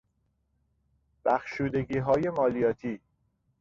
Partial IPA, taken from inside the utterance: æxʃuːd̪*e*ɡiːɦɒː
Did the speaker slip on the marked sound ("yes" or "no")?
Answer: no